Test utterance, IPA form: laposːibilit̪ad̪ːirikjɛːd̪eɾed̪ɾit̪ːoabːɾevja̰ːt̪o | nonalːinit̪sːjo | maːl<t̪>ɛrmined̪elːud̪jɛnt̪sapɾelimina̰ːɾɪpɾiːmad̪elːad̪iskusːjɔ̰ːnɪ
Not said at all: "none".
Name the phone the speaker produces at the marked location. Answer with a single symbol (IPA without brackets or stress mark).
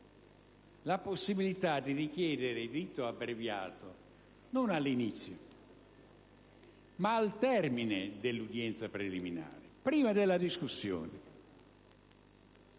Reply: t̪